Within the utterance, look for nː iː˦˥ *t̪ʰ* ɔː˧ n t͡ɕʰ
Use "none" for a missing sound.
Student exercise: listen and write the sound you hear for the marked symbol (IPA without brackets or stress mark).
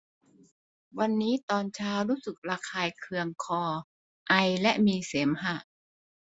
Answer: t̪